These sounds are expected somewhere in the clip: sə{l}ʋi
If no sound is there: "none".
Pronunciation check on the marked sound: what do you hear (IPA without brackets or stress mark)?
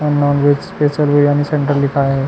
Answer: l